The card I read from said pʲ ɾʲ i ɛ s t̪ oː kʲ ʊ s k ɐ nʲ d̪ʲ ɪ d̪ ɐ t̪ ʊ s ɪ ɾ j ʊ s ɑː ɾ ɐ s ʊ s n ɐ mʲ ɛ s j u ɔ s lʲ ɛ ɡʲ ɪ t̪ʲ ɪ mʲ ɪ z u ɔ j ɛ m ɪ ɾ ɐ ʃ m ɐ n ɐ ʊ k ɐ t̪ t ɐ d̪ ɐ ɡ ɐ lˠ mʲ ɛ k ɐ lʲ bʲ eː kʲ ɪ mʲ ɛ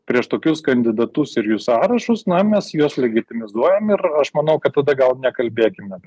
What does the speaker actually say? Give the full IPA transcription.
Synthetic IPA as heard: pʲ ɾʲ i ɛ ʃ t̪ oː kʲ ʊ s k ɐ nʲ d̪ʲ ɪ d̪ ɐ t̪ ʊ s ɪ ɾ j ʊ s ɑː ɾ ɐ ʃ ʊ s n ɐ mʲ ɛ s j u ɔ s lʲ ɛ ɡʲ ɪ t̪ʲ ɪ mʲ ɪ z u ɔ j ɛ m ɪ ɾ ɐ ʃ m ɐ n ɐ ʊ k ɐ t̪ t ɐ d̪ ɐ ɡ ɐ lˠ nʲ ɛ k ɐ lʲ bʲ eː kʲ ɪ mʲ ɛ